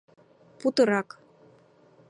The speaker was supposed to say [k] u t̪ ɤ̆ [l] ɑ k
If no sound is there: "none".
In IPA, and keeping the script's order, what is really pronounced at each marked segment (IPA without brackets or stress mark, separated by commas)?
p, ɾ